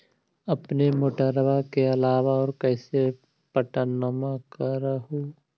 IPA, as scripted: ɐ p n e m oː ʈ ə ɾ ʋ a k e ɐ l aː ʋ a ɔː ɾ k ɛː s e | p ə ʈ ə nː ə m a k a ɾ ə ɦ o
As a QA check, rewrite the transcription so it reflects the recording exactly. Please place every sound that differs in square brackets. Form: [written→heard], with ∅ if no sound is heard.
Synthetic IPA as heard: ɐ p n e m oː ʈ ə ɾ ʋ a k e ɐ l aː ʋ a ɔː ɾ k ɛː s e | p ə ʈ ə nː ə m a k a ɾ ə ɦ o

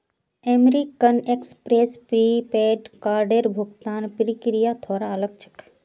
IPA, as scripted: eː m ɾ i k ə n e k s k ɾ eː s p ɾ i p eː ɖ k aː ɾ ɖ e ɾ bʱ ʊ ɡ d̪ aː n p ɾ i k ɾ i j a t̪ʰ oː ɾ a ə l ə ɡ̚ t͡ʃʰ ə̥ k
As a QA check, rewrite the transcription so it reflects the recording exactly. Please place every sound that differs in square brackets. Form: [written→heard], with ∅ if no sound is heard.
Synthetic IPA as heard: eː m ɾ i k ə n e k s [k→p] ɾ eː s p ɾ i p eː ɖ k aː ɾ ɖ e ɾ bʱ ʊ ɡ [d̪→t̪] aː n p ɾ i k ɾ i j a t̪ʰ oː ɾ a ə l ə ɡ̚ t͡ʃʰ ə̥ k

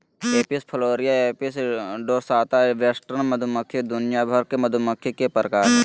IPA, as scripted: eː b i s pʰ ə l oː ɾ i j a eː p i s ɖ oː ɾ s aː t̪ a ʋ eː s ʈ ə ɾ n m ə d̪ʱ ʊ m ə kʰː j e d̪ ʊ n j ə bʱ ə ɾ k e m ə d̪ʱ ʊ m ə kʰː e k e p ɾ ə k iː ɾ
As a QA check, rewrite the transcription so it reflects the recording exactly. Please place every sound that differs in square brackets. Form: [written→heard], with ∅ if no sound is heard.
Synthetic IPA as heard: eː [b→p] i s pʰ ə l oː ɾ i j a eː p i s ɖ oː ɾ s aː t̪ a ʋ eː s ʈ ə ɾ n m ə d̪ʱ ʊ m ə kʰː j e d̪ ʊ n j [ə→a] bʱ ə ɾ k e m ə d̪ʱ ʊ m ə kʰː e k e p ɾ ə k [iː→aː] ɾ

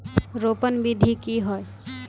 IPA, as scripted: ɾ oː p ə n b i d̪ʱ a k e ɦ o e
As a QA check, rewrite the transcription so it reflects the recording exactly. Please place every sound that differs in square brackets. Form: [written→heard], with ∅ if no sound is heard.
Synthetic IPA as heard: ɾ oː p ə n b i d̪ʱ [a→i] k [e→i] ɦ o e

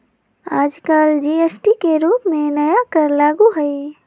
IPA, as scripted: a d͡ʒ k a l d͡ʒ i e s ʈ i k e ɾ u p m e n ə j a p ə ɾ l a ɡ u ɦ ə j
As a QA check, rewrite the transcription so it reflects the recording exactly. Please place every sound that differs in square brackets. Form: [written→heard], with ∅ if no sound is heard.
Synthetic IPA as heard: a d͡ʒ k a l d͡ʒ i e s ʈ i k e ɾ u p m e n ə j a [p→k] ə ɾ l a ɡ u ɦ ə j

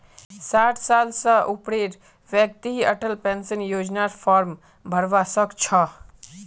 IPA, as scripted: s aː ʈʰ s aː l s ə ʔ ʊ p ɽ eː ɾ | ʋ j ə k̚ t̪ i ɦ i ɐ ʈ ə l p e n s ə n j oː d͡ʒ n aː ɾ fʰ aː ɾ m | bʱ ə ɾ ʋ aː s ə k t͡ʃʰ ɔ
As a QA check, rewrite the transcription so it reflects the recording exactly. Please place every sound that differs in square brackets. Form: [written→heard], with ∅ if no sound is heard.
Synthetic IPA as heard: s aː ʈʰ s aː l s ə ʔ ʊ p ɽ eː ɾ | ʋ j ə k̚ t̪ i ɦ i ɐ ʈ ə l p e n s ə n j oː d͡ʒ n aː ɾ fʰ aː ɾ m | bʱ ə ɾ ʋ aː s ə k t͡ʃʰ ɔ

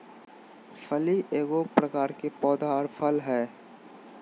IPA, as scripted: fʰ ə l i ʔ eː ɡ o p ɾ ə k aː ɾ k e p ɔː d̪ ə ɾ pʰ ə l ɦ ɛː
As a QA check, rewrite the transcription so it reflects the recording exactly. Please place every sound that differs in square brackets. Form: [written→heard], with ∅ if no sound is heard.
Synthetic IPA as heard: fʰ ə l i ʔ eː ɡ o p ɾ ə k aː ɾ k e p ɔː d̪ [ə→a] ɾ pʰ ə l ɦ ɛː

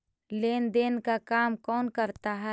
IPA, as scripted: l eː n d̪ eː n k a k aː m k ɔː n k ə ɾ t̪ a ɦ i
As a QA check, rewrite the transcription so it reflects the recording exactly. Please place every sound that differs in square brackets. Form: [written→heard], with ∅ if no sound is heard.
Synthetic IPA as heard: l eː n d̪ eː n k a k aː m k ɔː n k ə ɾ t̪ a ɦ [i→ɛ]

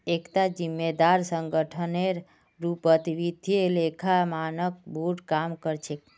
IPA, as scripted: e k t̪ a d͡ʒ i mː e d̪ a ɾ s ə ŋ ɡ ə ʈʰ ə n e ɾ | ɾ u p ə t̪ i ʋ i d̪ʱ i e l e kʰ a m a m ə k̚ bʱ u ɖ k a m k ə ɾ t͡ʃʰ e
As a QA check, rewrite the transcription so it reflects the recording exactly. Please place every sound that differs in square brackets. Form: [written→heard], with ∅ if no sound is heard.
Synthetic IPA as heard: e k t̪ a d͡ʒ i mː e d̪ a ɾ s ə ŋ ɡ ə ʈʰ ə n e ɾ | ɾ u p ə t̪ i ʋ i d̪ʱ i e l e kʰ a m a [m→n] ə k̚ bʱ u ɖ k a m k ə ɾ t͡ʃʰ e

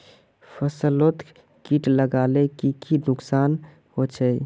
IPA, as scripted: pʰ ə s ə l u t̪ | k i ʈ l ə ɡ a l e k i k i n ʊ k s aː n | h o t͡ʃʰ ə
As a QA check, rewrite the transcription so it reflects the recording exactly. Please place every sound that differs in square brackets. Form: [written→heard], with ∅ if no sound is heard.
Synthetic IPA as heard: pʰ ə s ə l [u→o] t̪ | k i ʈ l ə ɡ a l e k i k i n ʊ k s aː n | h o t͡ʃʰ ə

